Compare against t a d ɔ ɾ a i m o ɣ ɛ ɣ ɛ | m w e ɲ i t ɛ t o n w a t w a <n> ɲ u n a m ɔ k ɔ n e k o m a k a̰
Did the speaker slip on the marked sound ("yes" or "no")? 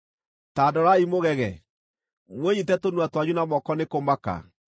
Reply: yes